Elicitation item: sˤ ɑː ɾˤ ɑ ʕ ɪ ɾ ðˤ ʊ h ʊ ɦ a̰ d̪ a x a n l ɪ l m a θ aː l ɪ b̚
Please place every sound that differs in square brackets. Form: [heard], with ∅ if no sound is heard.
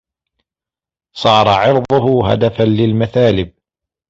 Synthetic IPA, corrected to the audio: sˤ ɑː ɾˤ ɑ ʕ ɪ ɾ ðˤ ʊ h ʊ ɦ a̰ d̪ a [f] a n l ɪ l m a θ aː l ɪ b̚